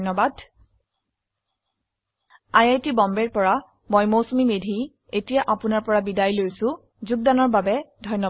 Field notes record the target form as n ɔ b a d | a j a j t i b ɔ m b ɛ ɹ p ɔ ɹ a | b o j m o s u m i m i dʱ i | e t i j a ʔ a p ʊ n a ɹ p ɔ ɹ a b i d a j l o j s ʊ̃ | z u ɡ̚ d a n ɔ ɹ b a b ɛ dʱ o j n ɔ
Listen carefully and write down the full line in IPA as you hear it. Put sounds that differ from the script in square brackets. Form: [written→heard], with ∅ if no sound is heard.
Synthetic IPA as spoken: n ɔ b a d | a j a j t i b ɔ m b ɛ ɹ p ɔ ɹ a | [b→m] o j m o s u m i m [i→e] dʱ i | e t i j a ʔ a p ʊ n a ɹ p ɔ ɹ a b i d a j l o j s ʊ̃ | z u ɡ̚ d a n ɔ ɹ b a b ɛ dʱ [o→ɔ] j n ɔ